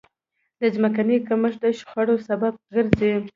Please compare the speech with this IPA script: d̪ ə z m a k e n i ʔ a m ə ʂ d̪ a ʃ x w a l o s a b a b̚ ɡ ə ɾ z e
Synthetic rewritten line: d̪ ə z m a k a n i k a m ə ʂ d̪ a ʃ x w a ɽ o s a b a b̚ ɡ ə ɾ z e